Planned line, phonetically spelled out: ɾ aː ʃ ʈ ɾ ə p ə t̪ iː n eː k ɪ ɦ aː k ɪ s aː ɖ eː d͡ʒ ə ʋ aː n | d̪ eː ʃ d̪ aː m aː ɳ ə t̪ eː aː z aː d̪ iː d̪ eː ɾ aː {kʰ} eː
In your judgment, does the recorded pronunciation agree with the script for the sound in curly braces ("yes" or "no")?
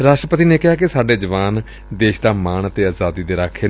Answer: yes